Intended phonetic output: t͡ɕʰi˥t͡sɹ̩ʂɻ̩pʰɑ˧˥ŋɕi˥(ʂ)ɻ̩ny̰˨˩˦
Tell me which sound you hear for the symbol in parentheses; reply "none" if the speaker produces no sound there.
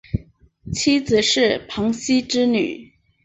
ʈ͡ʂ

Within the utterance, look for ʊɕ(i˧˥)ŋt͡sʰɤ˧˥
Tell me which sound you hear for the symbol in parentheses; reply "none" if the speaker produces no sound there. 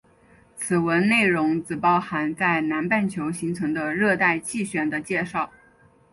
i˧˥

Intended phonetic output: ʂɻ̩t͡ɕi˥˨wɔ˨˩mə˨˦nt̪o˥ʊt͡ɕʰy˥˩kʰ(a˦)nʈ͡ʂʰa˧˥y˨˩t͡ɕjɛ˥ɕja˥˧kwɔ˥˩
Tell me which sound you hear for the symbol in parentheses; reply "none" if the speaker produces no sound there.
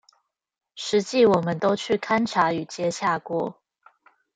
a˦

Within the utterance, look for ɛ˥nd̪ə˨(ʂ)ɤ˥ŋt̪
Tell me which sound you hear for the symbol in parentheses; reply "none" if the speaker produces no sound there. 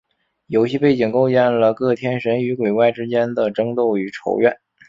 ʈ͡ʂ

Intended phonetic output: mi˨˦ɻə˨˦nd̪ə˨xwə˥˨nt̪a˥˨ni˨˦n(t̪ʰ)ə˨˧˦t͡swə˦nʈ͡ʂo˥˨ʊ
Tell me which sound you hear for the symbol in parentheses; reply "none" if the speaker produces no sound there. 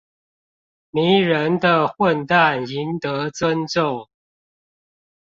t̪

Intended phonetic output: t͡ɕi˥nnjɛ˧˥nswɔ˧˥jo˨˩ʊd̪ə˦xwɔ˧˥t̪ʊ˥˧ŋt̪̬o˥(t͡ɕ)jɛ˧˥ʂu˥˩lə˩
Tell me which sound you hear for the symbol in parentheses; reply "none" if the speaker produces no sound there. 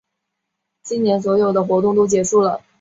t͡ɕ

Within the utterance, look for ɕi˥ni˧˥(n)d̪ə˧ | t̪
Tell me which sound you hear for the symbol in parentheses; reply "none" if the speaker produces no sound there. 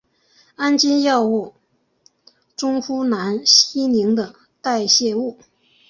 ŋ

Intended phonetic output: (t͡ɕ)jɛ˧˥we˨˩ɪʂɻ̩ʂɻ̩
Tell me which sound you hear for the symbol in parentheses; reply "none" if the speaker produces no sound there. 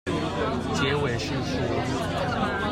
t͡ɕ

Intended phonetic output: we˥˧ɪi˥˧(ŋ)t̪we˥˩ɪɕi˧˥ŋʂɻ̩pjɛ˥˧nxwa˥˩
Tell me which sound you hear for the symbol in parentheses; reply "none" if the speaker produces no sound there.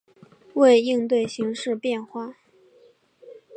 ŋ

